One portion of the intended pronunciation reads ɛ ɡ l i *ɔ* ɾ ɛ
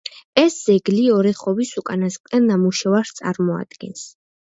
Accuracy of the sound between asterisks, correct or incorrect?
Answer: correct